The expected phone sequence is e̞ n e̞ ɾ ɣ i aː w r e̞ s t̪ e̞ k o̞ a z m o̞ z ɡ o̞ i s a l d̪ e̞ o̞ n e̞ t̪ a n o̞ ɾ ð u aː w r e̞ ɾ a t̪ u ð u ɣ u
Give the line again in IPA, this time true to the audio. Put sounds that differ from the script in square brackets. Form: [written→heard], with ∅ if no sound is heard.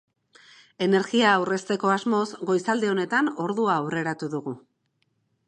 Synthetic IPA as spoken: e̞ n e̞ ɾ ɣ i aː w r e̞ s t̪ e̞ k o̞ a z m o̞ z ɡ o̞ [i→j] s a l d̪ e̞ o̞ n e̞ t̪ a n o̞ ɾ ð u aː w r e̞ ɾ a t̪ u ð u ɣ u